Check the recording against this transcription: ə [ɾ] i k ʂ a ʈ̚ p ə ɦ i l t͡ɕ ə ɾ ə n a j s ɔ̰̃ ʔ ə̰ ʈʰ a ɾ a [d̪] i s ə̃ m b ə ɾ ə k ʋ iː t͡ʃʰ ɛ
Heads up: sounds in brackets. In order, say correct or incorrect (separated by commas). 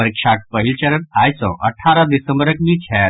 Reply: correct, correct